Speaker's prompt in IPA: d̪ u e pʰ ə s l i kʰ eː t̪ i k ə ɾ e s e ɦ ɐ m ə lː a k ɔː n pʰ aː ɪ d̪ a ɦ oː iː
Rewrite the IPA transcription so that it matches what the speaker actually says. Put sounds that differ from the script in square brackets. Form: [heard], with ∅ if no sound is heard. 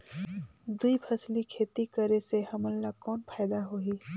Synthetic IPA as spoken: d̪ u [i] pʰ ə s l i kʰ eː t̪ i k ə ɾ e s e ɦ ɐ m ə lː a k ɔː n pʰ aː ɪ d̪ a ɦ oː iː